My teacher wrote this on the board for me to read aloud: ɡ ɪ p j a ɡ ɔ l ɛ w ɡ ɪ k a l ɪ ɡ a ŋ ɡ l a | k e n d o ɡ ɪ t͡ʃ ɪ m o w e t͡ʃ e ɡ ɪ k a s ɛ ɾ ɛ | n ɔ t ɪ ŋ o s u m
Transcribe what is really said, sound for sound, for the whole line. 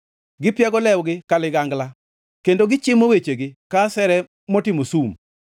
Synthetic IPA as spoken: ɡ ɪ p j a ɡ ɔ l ɛ w ɡ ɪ k a l ɪ ɡ a ŋ ɡ l a | k e n d o ɡ ɪ t͡ʃ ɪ m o w e t͡ʃ e ɡ ɪ k a s ɛ ɾ ɛ | m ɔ t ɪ m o s u m